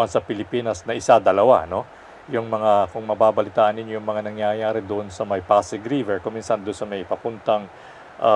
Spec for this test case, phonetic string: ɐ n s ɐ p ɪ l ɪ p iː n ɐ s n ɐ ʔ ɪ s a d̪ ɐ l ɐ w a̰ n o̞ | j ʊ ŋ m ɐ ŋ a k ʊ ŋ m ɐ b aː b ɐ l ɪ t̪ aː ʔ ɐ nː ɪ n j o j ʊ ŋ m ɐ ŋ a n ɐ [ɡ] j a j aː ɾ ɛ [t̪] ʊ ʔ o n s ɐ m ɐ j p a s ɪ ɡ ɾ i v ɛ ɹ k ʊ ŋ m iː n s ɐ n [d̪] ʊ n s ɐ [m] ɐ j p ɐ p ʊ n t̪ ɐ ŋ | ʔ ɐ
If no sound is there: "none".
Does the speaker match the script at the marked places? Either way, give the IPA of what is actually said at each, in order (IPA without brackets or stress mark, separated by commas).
ŋ, d̪, d̪, m